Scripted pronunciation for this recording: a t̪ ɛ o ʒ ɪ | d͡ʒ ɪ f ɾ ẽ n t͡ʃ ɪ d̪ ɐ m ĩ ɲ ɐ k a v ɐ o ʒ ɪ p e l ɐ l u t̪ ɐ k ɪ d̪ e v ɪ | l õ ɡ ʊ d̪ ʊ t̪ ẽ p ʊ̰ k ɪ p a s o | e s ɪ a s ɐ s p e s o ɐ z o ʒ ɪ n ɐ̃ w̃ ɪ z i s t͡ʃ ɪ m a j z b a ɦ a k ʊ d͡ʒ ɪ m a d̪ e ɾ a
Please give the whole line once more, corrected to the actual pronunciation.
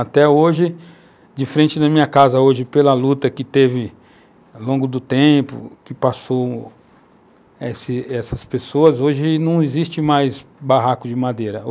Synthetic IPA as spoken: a t̪ ɛ o ʒ ɪ | d͡ʒ ɪ f ɾ ẽ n t͡ʃ ɪ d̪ ɐ m ĩ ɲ ɐ k a z ɐ o ʒ ɪ p e l ɐ l u t̪ ɐ k ɪ t̪ e v ɪ | l õ ɡ ʊ d̪ ʊ t̪ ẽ p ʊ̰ k ɪ p a s o | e s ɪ ɛ s ɐ s p e s o ɐ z o ʒ ɪ n ɐ̃ w̃ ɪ z i s t͡ʃ ɪ m a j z b a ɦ a k ʊ d͡ʒ ɪ m a d̪ e ɾ ɐ